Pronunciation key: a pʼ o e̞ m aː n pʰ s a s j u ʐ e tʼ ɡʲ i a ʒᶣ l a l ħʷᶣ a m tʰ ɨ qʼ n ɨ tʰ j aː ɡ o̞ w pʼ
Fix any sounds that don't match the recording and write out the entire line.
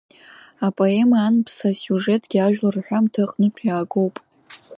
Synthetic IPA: a pʼ o e̞ m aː n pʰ s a s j u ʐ e tʼ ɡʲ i a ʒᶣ l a r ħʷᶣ a m tʰ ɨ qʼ n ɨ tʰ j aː ɡ o̞ w pʼ

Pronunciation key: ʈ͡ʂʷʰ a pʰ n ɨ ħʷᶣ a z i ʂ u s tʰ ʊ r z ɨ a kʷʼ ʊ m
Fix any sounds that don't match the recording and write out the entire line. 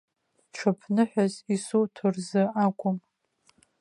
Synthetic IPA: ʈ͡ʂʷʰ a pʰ n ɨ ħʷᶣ a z i s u tʰ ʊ r z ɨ a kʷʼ ʊ m

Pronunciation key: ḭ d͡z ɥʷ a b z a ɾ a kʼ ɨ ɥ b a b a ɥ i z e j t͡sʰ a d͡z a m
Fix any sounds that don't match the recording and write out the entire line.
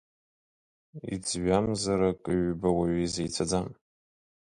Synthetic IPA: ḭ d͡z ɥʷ a m z a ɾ a kʼ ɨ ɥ b a w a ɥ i z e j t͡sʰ a d͡z a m

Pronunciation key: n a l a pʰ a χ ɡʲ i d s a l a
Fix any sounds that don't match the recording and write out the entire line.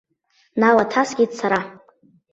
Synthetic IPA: n a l a tʰ a s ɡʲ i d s a ɾ a

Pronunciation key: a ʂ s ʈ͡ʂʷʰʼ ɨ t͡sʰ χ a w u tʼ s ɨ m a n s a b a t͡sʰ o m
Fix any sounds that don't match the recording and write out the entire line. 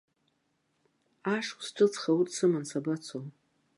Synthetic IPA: a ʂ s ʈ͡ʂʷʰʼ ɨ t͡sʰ χ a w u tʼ s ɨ m a n s a b a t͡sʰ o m

